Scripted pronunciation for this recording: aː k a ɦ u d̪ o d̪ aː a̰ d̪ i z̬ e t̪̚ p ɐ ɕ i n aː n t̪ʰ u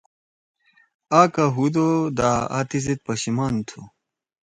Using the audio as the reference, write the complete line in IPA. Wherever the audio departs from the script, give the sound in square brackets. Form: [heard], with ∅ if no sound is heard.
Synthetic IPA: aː k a ɦ u d̪ o d̪ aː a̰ [t̪] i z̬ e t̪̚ p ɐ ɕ i [m] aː n t̪ʰ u